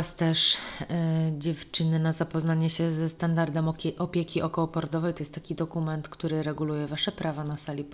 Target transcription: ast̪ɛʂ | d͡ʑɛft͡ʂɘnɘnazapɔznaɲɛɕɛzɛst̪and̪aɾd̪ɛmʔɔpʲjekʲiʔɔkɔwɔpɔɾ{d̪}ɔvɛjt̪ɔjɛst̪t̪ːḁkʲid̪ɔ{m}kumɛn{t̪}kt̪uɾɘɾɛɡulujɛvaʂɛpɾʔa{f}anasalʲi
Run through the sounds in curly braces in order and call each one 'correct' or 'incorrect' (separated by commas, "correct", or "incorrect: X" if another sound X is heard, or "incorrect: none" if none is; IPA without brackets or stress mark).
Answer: correct, incorrect: none, correct, incorrect: v